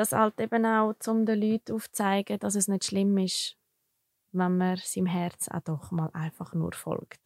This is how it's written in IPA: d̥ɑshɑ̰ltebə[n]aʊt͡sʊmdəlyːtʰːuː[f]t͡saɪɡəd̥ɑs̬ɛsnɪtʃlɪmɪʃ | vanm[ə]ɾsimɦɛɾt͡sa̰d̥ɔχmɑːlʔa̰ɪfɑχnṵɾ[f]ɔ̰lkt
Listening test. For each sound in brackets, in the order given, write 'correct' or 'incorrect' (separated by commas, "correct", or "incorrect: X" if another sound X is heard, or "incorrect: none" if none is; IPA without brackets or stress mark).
correct, correct, correct, correct